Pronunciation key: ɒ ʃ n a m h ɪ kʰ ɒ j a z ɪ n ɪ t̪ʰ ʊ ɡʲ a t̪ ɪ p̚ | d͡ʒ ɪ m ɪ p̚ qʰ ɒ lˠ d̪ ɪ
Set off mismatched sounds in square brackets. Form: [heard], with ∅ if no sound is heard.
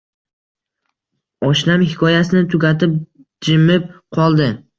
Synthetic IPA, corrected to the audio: ɒ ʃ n a m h ɪ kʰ ɒ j a [s] ɪ n ɪ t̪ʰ ʊ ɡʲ a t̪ ɪ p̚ | d͡ʒ ɪ m ɪ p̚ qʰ ɒ lˠ d̪ ɪ